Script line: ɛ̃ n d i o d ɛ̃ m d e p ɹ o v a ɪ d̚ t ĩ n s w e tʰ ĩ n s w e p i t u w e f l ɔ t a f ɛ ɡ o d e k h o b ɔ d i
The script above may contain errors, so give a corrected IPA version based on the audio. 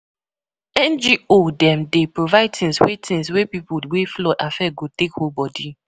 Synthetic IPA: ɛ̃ n d͡ʒ i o d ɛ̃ m d e p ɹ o v a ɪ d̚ t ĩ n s w e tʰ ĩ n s w e p i p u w e f l ɔ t a f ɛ ɡ o t e k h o b ɔ d i